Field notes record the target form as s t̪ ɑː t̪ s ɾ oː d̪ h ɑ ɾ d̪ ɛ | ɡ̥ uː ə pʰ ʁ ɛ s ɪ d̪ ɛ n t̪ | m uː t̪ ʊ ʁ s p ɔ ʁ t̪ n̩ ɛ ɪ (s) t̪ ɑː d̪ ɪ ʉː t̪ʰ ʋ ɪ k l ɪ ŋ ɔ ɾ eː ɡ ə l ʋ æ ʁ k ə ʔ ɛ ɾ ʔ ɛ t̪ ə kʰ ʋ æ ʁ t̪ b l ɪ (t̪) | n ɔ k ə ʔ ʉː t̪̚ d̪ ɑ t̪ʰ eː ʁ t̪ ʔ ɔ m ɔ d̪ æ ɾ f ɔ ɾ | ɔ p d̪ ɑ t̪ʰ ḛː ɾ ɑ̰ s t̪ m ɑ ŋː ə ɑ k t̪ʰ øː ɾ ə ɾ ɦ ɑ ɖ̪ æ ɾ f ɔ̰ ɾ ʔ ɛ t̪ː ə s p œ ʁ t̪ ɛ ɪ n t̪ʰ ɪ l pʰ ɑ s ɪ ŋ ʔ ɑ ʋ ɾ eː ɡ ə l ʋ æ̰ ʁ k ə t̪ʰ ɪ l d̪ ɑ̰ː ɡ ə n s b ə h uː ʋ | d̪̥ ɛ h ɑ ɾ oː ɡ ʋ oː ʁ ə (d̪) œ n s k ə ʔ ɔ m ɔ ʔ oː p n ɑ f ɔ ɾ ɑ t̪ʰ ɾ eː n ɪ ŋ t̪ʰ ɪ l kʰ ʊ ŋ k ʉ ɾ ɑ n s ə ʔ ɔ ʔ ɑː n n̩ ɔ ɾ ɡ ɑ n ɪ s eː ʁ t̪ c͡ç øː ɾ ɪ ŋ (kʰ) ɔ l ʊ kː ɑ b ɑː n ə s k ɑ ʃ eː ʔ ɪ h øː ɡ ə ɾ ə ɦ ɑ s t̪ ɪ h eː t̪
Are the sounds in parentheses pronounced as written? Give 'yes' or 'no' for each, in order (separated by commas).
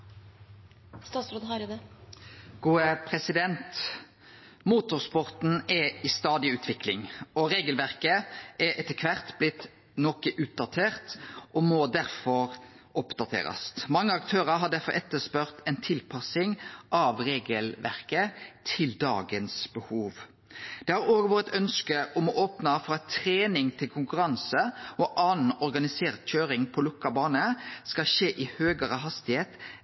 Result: yes, yes, no, no